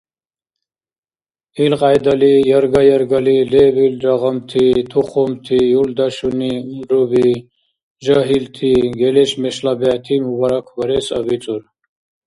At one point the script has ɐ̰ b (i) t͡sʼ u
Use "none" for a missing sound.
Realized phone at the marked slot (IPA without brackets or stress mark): i